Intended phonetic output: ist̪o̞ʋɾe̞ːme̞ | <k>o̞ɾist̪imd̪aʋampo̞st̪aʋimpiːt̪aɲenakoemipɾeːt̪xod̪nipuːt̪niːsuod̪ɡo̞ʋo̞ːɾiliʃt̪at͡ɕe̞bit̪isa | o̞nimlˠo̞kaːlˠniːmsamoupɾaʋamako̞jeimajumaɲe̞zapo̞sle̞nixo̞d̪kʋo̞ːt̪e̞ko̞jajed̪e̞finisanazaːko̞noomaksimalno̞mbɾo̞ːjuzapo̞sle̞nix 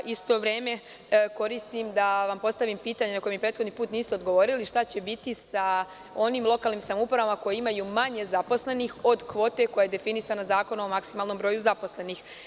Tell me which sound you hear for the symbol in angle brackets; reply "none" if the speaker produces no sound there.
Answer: k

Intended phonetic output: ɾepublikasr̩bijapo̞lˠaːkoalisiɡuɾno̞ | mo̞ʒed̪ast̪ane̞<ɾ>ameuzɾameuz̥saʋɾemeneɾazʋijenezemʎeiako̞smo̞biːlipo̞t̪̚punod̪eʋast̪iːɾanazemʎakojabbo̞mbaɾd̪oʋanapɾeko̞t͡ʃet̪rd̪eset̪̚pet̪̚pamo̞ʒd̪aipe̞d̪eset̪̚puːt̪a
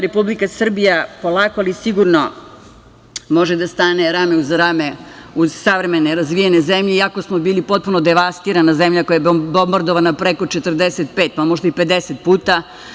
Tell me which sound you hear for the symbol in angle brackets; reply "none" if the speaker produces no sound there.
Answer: ɾ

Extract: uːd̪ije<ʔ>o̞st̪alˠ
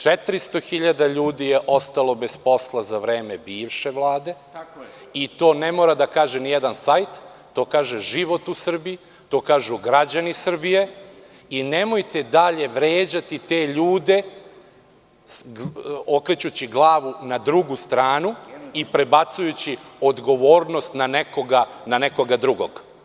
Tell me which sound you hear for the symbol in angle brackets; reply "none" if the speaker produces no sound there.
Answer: ʔ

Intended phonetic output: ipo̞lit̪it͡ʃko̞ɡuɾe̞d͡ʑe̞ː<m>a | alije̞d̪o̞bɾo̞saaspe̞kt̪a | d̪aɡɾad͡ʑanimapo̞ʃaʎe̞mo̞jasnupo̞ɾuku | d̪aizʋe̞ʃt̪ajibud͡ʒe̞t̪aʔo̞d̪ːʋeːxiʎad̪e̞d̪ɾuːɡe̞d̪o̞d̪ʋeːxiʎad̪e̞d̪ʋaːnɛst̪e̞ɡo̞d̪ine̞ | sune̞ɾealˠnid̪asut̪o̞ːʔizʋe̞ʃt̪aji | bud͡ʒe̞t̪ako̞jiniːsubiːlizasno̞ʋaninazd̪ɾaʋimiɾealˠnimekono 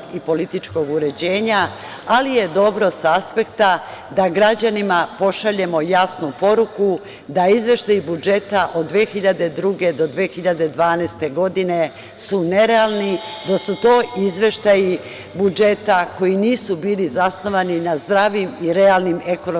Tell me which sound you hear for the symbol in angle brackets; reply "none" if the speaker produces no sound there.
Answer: ɲ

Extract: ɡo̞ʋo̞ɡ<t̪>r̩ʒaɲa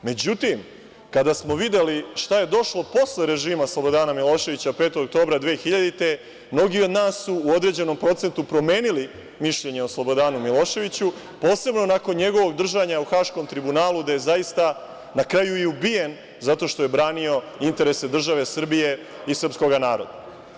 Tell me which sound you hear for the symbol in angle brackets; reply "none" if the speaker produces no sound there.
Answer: d̪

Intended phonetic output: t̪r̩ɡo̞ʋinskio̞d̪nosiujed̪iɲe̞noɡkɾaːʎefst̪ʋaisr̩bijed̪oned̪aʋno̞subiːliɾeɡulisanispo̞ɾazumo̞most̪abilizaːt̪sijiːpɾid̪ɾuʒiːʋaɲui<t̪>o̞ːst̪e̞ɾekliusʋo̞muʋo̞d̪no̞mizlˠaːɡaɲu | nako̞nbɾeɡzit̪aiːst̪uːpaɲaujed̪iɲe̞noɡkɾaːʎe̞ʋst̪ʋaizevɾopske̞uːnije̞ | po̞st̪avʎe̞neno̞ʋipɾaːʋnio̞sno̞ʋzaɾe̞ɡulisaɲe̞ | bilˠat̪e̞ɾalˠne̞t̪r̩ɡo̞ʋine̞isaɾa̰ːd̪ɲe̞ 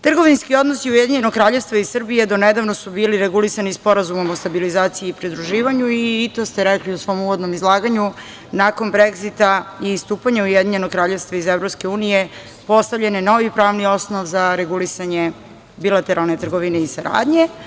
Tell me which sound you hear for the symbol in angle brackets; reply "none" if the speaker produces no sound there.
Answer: t̪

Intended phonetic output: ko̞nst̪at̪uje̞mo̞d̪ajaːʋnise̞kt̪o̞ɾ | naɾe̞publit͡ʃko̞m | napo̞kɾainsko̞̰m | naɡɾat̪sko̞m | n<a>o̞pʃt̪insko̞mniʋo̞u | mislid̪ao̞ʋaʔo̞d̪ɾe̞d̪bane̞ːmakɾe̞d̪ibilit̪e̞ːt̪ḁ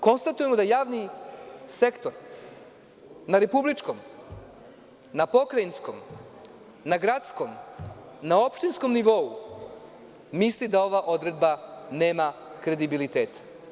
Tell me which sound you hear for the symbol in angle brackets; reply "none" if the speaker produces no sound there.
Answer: a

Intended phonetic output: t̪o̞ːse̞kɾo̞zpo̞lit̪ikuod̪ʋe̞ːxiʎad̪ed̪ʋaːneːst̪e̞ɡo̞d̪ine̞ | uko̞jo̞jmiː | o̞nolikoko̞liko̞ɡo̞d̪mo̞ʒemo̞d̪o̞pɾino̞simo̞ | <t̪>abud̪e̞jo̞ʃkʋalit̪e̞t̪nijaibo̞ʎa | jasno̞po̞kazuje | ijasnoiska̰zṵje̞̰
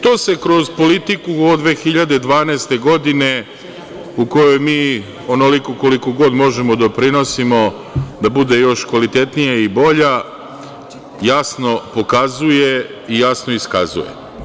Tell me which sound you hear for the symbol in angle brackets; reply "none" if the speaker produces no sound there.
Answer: d̪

